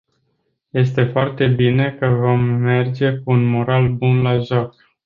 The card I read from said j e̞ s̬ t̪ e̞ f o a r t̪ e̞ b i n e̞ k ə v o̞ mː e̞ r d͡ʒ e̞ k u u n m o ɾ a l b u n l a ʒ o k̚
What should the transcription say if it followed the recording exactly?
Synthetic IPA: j e̞ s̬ t̪ e̞ f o a r t̪ e̞ b i n e̞ k ə v o̞ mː e̞ r d͡ʒ e̞ k u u n m o ɾ a l b u n l a ʒ o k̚